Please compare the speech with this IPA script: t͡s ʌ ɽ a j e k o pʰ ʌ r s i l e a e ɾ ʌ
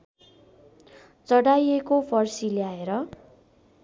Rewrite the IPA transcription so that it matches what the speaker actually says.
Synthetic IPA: t͡s ʌ ɽ a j e k o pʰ ʌ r s i l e a e ɾ ʌ